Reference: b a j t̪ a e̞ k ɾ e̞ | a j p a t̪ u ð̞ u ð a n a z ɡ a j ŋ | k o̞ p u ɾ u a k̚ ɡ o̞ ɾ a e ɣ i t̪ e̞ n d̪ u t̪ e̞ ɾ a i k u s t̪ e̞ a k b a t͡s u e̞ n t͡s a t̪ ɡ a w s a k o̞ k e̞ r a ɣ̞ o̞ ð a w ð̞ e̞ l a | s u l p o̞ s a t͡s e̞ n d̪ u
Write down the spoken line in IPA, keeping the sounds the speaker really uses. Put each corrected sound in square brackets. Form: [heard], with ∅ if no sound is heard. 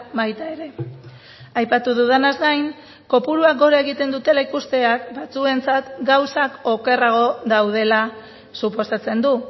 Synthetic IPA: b a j t̪ a e̞ [∅] ɾ e̞ | a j p a t̪ u ð̞ u ð a n a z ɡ a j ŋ | k o̞ p u ɾ u a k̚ ɡ o̞ ɾ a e ɣ i t̪ e̞ n d̪ u t̪ e̞ [l] a i k u s t̪ e̞ a k b a t͡s u e̞ n t͡s a t̪ ɡ a w s a k o̞ k e̞ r a ɣ̞ o̞ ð a w ð̞ e̞ l a | s u [∅] p o̞ s a t͡s e̞ n d̪ u